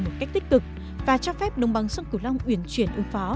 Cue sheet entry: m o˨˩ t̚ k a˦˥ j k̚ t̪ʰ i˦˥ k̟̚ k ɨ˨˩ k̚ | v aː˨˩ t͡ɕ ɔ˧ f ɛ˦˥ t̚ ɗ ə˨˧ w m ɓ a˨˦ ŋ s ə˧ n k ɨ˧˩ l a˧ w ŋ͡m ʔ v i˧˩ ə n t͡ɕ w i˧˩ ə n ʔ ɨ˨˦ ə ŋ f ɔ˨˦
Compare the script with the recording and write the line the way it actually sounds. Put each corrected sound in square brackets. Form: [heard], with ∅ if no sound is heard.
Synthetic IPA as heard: m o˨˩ t̚ k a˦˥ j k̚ [t̪] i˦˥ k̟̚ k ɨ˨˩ k̚ | v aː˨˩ t͡ɕ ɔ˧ f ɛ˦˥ [p̚] ɗ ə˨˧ w [ŋ͡m] ɓ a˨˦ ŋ s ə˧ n k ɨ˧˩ l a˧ w ŋ͡m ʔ [w] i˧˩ ə n t͡ɕ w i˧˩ ə n ʔ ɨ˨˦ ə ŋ f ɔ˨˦